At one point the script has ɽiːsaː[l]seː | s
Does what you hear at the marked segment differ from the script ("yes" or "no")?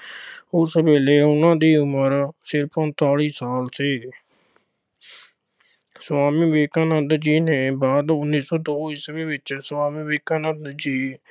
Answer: no